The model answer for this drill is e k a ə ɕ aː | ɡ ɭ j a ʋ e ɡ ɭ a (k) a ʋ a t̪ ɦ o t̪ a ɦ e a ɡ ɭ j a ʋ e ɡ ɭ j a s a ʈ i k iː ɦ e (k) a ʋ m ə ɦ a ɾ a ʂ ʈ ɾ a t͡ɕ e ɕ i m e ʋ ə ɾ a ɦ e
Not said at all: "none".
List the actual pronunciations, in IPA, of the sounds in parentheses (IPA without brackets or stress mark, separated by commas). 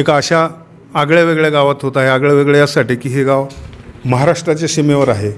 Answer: ɡ, ɡ